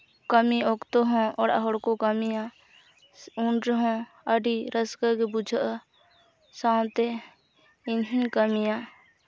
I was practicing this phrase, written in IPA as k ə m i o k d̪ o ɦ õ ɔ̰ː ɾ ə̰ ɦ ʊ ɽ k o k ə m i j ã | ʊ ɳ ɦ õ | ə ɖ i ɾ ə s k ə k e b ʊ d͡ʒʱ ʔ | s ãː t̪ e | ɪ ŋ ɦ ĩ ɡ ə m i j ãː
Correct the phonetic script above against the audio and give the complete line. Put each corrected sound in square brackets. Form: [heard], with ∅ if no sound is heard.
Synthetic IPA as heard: k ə m i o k [t̪] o ɦ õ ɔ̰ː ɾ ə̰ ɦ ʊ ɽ k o k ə m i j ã | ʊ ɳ ɦ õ | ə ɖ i ɾ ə s k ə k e b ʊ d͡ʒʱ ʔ | s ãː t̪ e | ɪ [n] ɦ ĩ [k] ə m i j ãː

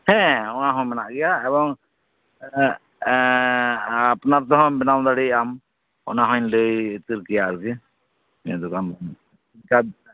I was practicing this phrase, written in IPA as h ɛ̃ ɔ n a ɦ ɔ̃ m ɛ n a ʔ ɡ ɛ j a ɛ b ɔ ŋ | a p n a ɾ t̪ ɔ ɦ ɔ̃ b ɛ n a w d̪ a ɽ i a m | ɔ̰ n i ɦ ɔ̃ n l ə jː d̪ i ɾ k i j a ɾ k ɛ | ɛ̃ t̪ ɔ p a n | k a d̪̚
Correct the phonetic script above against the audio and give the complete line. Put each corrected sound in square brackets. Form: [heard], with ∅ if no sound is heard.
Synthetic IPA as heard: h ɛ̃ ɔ n a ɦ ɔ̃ m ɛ n a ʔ ɡ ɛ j a ɛ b ɔ ŋ | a p n a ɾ t̪ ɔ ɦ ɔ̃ b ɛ n a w d̪ a ɽ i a m | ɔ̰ n [a] ɦ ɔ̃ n l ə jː [t̪] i ɾ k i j a ɾ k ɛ | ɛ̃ [d̪] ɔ [k] a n | k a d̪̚

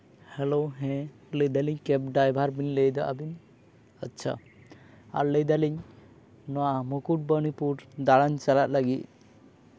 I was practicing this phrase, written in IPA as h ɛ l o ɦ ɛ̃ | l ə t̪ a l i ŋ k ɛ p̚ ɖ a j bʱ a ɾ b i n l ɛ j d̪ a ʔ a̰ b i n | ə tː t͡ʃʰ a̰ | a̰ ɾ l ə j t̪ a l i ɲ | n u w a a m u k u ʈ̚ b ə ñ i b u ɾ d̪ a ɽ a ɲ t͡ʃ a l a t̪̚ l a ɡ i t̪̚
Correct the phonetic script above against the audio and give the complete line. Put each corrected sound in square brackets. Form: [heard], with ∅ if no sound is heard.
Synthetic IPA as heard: h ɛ l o ɦ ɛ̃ | l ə [d̪] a l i [ɲ] k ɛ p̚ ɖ a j bʱ a ɾ b i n l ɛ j d̪ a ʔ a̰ b i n | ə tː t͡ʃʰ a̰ | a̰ ɾ l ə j [d̪] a l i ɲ | n [ɔ] w a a m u k u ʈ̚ b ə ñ i [p] u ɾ d̪ a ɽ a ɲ t͡ʃ a l a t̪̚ l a ɡ i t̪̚

